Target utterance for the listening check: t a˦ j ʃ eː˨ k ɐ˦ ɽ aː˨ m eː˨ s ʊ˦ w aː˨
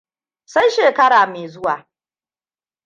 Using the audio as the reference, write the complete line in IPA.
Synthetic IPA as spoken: s a˦ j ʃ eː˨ k ɐ˦ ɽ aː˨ m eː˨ z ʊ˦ w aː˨

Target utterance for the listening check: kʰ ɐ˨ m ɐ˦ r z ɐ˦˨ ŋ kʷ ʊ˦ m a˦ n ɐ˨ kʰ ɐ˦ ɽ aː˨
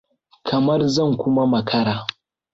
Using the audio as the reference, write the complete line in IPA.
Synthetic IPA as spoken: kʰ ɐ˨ m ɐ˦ r z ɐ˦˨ ŋ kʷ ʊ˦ m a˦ m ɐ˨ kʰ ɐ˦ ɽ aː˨

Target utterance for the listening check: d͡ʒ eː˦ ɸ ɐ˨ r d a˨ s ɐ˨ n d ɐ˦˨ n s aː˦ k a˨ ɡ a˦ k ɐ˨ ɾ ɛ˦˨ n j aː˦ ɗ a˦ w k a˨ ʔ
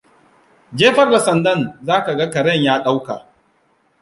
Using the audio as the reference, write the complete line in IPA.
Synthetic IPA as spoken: d͡ʒ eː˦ ɸ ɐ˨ r d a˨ s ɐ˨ n d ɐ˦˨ n z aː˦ k a˨ ɡ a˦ k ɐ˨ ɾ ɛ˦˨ ɲ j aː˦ ɗ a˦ w k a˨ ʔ

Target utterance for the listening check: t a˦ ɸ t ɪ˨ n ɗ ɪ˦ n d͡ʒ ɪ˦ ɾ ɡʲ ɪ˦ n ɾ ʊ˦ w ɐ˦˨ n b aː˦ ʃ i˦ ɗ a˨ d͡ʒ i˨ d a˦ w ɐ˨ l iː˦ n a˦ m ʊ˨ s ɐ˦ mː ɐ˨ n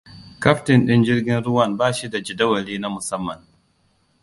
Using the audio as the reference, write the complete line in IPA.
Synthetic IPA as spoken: k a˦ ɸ t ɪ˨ n ɗ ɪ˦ n d͡ʒ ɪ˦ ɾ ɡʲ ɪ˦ n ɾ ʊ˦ w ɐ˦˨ n b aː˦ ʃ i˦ d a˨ d͡ʒ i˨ d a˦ w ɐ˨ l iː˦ n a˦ m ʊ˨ s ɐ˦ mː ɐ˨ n

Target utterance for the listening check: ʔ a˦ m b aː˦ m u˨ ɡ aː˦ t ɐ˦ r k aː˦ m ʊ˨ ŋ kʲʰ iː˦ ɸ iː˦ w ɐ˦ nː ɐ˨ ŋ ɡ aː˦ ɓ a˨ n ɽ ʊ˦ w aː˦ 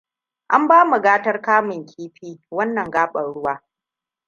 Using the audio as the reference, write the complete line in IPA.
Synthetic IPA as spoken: ʔ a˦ m b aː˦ m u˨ ɡ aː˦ t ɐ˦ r k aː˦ m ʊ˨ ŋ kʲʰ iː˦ ɸ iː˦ w ɐ˦ nː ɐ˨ ŋ ɡ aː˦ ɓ ɐ˨ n ɽ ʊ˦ w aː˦

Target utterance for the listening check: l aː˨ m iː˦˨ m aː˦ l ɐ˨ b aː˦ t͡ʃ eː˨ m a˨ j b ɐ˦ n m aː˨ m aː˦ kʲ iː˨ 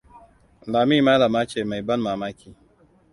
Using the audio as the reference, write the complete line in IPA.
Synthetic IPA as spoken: l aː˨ m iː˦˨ m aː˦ l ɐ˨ m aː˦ t͡ʃ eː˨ m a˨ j b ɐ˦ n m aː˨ m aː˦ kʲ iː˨

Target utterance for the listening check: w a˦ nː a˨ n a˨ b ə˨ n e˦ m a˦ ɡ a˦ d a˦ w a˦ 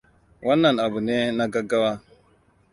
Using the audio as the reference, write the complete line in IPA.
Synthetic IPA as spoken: w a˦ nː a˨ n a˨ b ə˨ n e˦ n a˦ ɡ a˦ ɡ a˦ w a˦

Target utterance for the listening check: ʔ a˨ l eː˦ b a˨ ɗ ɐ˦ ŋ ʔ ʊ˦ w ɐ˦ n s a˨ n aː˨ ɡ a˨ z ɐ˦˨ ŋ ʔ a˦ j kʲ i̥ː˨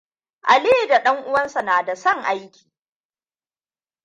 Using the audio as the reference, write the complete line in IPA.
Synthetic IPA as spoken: ʔ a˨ l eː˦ d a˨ ɗ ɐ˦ ŋ ʔ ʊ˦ w ɐ˦ n s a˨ n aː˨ d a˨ s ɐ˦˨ ŋ ʔ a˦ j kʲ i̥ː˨

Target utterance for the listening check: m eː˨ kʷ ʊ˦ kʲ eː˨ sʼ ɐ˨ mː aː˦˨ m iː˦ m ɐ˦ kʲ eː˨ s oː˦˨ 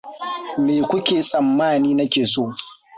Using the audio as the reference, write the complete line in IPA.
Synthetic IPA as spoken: m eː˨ kʷ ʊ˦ kʲ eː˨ sʼ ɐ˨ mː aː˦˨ n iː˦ n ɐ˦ kʲ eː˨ s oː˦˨

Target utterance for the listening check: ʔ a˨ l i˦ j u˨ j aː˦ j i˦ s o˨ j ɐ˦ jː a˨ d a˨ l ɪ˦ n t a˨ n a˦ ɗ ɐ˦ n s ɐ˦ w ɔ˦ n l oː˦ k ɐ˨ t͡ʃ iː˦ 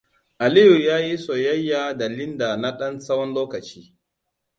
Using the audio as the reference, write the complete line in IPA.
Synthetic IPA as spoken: ʔ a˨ l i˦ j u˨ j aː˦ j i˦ s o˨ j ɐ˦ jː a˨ d a˨ l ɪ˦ n d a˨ n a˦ ɗ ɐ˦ n s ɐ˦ w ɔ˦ n l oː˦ k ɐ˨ t͡ʃ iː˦

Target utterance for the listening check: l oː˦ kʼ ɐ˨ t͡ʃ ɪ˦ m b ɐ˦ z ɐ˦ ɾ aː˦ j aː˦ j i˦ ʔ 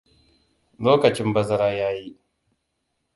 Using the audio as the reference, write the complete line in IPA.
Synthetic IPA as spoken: l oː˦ k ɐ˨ t͡ʃ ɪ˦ m b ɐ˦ z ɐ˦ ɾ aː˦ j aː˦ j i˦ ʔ

